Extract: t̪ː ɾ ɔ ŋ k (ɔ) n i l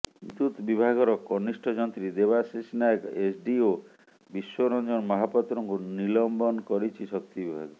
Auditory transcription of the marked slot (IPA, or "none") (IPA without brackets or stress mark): u